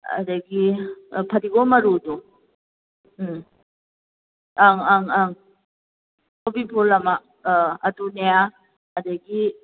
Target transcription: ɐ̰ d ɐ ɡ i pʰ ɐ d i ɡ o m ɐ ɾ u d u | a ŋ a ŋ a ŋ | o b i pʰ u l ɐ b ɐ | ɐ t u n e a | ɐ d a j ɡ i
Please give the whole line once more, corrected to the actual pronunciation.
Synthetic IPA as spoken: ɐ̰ d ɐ ɡ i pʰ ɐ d i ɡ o m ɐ ɾ u d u | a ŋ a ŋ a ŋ | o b i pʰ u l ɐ m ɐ | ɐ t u n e a | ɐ d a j ɡ i